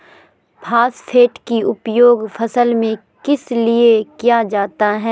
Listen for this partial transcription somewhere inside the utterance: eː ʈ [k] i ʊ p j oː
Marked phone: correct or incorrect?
correct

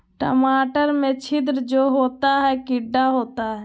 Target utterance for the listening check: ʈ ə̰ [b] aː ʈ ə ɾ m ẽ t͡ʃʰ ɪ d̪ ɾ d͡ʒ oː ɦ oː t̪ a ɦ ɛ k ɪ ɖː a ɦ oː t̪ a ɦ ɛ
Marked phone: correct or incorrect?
incorrect: m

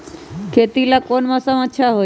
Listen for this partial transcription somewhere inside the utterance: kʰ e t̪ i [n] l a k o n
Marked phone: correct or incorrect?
incorrect: none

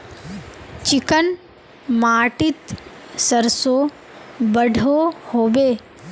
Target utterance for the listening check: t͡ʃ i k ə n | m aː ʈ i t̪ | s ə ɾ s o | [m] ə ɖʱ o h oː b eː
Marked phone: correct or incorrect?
incorrect: b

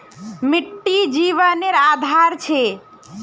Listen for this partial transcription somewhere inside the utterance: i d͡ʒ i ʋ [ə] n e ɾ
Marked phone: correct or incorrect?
correct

